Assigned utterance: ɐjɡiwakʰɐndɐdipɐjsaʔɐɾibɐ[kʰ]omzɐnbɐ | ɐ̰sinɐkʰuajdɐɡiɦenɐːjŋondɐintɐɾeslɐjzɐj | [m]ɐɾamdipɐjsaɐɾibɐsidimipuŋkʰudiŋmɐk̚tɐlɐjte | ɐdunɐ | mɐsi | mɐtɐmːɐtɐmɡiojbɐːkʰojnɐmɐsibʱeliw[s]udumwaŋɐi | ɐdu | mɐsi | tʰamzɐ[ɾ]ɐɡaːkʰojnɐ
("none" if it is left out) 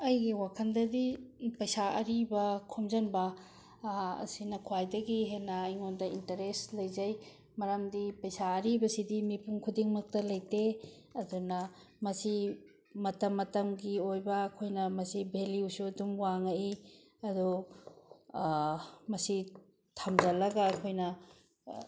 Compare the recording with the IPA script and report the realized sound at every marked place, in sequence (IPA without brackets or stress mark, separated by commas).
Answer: kʰ, m, s, l